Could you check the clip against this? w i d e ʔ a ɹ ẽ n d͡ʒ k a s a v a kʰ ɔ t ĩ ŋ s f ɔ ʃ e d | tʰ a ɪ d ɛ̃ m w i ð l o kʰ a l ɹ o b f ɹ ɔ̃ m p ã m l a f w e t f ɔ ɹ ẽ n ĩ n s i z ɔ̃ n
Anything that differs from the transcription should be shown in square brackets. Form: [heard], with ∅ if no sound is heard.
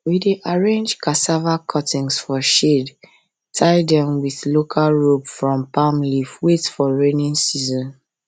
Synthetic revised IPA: w i d e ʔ a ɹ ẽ n d͡ʒ k a s a v a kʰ ɔ t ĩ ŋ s f ɔ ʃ e d | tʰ a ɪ d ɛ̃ m w i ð l o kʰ a l ɹ o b f ɹ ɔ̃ m p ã m l [i] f w e t f ɔ ɹ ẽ n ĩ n s i z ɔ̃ n

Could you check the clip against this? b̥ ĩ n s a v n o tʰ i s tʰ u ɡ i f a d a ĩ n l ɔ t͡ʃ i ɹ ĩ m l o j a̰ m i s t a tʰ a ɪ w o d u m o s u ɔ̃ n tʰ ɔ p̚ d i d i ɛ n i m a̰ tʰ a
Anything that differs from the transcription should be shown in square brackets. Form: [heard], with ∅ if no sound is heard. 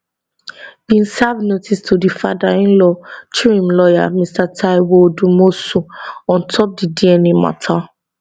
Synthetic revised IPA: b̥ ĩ n s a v n o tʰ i s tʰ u [d] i f a d a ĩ n l ɔ t͡ʃ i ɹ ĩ m l [ɔ] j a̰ m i s t a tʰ a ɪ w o d u m o s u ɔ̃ n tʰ ɔ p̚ d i d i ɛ n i m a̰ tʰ a

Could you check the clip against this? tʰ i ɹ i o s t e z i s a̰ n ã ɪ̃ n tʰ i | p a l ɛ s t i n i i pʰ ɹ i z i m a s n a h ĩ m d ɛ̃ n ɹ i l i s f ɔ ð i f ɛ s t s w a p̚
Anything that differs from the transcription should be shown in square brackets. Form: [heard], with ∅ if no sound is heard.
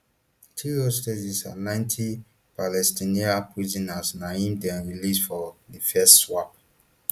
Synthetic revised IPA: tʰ i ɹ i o s t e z i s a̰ n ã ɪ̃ n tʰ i | p a l ɛ s t i n i [a] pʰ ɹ i z i [n] a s n a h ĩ m d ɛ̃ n ɹ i l i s f ɔ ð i f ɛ s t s w a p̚

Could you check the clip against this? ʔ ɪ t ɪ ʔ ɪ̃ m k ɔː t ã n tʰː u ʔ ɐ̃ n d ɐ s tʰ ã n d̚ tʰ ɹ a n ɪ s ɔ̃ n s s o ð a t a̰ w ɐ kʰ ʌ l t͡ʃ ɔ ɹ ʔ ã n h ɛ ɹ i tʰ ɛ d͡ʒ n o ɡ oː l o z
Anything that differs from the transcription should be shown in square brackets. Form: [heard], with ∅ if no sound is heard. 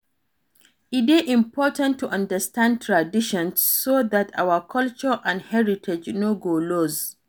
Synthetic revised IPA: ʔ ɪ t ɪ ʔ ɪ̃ m [p] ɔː t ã n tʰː u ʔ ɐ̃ n d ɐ s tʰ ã n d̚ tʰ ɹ a [d] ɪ [ʃ] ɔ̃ n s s o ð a t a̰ w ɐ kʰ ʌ l t͡ʃ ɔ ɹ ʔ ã n h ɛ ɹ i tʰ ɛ d͡ʒ n o ɡ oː l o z

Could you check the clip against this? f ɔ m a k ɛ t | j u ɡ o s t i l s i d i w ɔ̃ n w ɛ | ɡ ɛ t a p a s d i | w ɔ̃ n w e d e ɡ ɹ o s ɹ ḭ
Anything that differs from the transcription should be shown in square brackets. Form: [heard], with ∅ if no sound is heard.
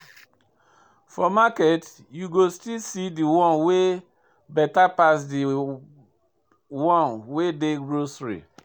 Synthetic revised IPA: f ɔ m a k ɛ t | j u ɡ o s t i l s i d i w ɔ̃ n w [e] | [b] ɛ t a p a s d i | w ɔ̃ n w e d e ɡ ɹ o s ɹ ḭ

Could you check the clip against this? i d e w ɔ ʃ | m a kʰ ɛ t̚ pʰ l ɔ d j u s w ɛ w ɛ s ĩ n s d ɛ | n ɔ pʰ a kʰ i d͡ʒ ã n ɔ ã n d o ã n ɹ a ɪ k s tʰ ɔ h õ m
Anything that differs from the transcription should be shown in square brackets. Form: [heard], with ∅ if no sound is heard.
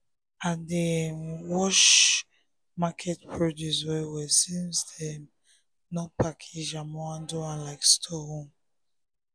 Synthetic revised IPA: [a] d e w ɔ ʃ | m a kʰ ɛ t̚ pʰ [ɹ] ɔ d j u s w ɛ w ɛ s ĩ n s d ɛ | n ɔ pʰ a kʰ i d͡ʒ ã [m] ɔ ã n d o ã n [l] a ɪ k s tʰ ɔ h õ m

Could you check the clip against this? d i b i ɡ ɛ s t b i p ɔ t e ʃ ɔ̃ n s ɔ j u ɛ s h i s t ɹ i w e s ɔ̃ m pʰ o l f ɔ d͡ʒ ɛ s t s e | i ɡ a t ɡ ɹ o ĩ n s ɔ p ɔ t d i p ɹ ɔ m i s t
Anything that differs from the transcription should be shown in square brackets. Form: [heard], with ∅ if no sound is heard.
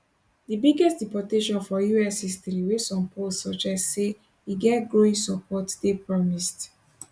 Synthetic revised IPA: d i b i ɡ ɛ s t [d] i p ɔ t e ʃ ɔ̃ n [f] ɔ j u ɛ s h i s t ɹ i w e s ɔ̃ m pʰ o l [s] ɔ d͡ʒ ɛ s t s e | i ɡ [ɛ] t ɡ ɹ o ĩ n s ɔ p ɔ t d [e] p ɹ ɔ m i s t

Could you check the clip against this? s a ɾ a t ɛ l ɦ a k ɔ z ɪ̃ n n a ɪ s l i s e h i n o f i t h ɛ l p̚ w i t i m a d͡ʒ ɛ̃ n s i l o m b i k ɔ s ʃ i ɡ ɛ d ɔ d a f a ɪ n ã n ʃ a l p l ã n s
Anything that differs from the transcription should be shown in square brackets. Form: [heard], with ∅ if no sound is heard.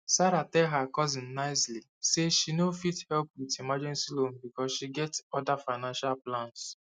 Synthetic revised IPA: s a ɾ a t ɛ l ɦ a k ɔ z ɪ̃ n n a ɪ s l i s e [ʃ] i n o f i t h ɛ l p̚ w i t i m a d͡ʒ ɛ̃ n s i l o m b i k ɔ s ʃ i ɡ ɛ [t] ɔ d a f a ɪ n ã n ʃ a l p l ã n s

